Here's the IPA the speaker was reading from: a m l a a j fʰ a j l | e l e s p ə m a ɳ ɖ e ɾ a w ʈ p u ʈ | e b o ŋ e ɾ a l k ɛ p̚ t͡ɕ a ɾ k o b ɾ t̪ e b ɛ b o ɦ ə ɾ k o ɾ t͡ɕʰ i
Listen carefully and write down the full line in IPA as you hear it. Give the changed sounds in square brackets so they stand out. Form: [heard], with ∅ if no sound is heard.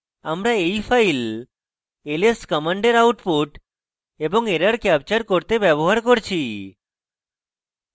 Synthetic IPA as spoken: a m [ɾ] a [e] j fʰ a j l | e l e s [k] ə m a ɳ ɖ e ɾ a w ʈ p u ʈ | e b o ŋ e ɾ a [ɾ] k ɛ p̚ t͡ɕ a ɾ k o [∅] ɾ t̪ e b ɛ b o ɦ [a] ɾ k o ɾ t͡ɕʰ i